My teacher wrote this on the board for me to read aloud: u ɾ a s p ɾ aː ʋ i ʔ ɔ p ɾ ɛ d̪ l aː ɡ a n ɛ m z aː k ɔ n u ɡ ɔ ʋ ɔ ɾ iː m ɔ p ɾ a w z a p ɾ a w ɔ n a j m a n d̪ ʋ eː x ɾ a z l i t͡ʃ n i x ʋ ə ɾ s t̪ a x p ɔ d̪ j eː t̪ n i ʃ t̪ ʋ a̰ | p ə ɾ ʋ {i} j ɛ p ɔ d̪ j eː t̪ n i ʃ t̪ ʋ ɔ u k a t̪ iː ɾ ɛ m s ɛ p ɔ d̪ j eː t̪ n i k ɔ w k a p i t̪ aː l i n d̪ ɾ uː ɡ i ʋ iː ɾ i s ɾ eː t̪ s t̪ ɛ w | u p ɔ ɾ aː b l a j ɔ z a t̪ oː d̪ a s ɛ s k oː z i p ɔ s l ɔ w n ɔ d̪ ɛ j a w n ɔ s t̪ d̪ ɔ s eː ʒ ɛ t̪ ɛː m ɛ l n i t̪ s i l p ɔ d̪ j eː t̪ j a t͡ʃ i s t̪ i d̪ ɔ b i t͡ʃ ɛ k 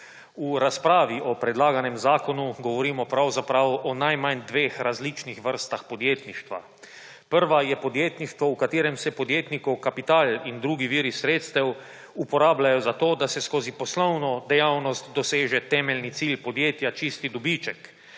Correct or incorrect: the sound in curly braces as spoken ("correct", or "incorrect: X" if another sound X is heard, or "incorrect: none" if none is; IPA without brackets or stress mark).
incorrect: a